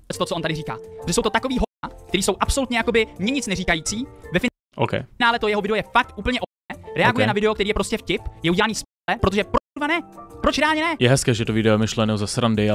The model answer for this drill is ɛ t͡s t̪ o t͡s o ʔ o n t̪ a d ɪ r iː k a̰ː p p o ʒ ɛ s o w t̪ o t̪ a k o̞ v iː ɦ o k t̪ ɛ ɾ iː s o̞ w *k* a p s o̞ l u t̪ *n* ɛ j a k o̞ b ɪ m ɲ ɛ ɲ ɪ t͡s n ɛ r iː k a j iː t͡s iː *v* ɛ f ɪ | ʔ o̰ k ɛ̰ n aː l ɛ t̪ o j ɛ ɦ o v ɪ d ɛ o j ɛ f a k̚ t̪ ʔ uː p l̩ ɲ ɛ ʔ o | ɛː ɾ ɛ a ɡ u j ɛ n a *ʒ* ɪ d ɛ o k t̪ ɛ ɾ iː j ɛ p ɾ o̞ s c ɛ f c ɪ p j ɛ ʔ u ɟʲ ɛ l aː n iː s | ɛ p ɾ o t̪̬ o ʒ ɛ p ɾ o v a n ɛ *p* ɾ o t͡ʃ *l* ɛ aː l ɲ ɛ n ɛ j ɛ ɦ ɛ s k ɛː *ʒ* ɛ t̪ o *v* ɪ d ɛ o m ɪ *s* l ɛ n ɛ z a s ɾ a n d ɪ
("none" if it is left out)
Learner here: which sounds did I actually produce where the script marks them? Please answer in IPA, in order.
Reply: ʔ, ɲ, v, v, p, ɾ, ʒ, v, ʃ

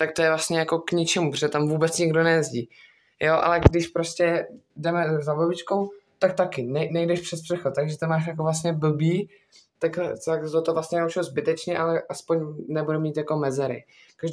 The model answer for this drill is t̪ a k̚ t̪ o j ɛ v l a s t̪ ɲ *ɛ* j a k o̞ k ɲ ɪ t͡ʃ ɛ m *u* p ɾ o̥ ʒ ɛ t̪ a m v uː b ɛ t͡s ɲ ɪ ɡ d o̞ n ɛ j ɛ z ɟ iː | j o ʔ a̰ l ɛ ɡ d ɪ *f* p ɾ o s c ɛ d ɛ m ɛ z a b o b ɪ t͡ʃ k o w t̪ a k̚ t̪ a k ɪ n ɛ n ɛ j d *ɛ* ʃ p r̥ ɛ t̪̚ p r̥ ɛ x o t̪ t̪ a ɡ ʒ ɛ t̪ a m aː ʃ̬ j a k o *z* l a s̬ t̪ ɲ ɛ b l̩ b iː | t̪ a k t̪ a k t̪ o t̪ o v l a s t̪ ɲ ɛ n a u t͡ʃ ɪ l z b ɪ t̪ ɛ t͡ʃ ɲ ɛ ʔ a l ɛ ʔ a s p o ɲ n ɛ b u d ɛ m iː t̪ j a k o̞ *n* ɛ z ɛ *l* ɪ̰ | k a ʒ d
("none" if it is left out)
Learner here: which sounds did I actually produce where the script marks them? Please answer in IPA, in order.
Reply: ɛ, u, ʃ, ɛ, v, m, ɾ

